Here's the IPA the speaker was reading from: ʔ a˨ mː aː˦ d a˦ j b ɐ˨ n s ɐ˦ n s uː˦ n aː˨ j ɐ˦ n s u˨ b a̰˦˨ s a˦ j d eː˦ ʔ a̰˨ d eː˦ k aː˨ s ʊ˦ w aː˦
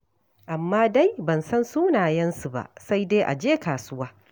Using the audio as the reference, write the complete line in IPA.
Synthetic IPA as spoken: ʔ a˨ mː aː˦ d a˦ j b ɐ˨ n s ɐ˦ n s uː˦ n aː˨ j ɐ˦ n s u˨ b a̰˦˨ s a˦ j d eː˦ ʔ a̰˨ d͡ʒ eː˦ k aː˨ s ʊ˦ w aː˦